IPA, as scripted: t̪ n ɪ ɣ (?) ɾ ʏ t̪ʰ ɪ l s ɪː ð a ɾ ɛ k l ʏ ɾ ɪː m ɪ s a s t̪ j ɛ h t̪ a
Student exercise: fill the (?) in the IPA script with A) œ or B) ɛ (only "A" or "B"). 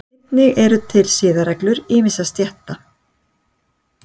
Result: B